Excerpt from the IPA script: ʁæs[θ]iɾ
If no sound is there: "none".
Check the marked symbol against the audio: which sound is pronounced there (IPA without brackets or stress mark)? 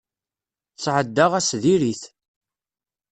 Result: ð